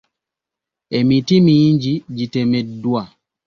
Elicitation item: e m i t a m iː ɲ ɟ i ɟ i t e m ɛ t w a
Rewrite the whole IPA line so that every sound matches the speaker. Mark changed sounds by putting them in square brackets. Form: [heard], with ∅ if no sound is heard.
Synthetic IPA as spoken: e m i t [i] m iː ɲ ɟ i ɟ i t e m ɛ [d] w a